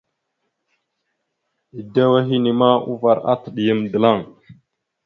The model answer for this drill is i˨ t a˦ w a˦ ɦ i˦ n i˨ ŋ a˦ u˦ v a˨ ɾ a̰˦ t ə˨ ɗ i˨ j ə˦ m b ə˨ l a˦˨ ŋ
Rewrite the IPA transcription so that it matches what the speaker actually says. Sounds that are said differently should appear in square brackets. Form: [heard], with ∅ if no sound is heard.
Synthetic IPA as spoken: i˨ [d] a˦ w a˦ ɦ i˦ n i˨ [m] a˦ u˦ v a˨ ɾ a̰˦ t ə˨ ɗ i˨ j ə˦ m [d] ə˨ l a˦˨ ŋ